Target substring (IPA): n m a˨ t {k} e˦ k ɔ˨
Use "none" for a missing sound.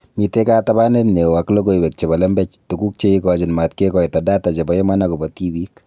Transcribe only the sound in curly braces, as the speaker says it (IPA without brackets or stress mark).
k